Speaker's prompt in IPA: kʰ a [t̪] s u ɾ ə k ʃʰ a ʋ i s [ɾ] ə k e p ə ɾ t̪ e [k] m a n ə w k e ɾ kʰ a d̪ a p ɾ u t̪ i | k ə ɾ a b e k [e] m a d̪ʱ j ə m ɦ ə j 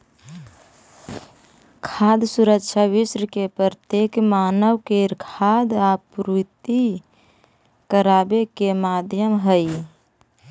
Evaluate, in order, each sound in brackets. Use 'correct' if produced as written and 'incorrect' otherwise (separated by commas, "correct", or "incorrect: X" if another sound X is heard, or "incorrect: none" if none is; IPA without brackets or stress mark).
incorrect: d̪, correct, correct, correct